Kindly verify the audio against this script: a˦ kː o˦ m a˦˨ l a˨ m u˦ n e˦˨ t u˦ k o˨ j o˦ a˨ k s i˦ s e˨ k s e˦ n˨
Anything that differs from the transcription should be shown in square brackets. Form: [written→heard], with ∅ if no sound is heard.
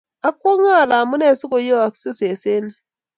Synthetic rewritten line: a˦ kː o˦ [m→ŋ] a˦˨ l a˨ m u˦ n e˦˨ [t→s] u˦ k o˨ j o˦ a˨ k s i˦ s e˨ [k→∅] s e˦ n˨